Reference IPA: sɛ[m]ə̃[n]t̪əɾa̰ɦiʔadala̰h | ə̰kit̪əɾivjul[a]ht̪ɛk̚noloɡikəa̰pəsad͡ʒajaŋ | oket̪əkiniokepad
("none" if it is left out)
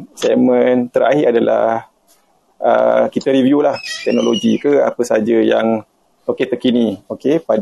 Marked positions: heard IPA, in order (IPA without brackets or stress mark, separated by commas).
m, n, a